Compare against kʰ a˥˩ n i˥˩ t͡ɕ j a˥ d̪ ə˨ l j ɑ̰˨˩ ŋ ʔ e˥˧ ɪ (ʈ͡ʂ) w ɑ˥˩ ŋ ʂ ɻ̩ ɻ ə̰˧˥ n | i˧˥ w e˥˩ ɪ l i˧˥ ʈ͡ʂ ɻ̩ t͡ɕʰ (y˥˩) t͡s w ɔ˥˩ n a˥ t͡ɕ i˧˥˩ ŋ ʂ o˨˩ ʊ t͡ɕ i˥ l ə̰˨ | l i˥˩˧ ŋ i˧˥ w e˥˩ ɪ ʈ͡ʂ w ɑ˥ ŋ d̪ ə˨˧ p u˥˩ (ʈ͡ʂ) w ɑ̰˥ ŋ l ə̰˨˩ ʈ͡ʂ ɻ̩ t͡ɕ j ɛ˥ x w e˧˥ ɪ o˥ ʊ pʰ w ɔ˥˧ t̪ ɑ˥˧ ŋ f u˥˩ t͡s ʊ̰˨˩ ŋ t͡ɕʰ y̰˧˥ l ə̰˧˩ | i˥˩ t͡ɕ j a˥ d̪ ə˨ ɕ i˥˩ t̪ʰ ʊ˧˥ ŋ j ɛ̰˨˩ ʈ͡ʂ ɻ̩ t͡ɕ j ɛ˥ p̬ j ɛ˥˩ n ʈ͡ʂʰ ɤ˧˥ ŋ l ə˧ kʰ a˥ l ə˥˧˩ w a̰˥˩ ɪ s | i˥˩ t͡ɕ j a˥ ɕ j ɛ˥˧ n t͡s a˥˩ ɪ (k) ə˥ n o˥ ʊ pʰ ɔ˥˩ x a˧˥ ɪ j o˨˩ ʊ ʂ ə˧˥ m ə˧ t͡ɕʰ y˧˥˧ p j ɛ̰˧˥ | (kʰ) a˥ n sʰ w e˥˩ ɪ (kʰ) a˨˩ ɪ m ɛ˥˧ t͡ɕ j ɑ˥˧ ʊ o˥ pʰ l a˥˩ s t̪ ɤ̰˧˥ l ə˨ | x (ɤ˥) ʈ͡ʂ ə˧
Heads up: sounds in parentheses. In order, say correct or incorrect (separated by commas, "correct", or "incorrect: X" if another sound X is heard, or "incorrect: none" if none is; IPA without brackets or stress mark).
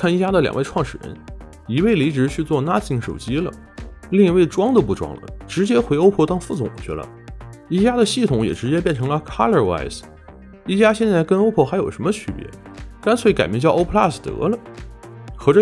incorrect: ʈ͡ʂʰ, incorrect: y˥˧, correct, correct, incorrect: k, incorrect: k, incorrect: ɤ˧˥